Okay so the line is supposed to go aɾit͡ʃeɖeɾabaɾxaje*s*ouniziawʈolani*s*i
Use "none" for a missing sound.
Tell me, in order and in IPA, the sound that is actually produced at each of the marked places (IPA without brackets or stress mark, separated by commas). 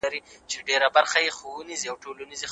x, z